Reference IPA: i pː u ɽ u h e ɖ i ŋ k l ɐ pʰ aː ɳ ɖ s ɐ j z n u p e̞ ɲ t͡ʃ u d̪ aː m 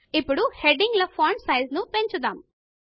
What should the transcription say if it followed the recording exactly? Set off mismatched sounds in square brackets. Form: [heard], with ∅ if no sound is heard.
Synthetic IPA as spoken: i pː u ɽ u h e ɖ i ŋ [ɡ] l ɐ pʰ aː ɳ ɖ s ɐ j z n u p e̞ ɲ t͡ʃ u d̪ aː m